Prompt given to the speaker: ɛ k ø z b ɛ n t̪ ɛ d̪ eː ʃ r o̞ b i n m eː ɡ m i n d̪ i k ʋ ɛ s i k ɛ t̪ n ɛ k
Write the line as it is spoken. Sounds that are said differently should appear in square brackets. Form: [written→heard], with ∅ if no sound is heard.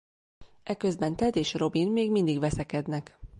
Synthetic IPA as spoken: ɛ k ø z b ɛ n t̪ ɛ d̪ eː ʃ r o̞ b i n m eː ɡ m i n d̪ i [k→ɡ] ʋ ɛ s [i→ɛ] k ɛ [t̪→d̪] n ɛ k